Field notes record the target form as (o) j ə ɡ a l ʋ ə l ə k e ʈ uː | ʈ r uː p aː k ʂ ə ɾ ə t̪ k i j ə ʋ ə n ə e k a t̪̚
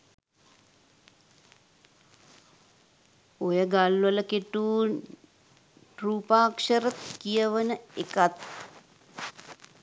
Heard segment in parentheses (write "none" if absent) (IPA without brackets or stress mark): o